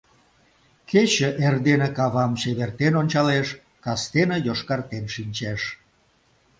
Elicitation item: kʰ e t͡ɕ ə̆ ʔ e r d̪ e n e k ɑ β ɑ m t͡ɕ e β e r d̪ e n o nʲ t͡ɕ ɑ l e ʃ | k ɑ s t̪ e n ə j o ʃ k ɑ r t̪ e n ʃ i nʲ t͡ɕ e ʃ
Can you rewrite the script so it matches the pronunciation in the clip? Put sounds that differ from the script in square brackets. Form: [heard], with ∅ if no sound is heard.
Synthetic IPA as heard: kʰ e t͡ɕ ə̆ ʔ e r d̪ e n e k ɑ β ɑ m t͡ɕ e β e r [t̪] e n o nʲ t͡ɕ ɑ l e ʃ | k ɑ s t̪ e n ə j o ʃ k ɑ r t̪ e n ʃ i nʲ t͡ɕ e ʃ